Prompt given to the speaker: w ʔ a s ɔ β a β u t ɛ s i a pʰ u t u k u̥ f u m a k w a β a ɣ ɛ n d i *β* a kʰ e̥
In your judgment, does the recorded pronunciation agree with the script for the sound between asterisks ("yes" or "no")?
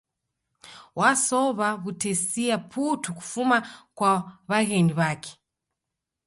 yes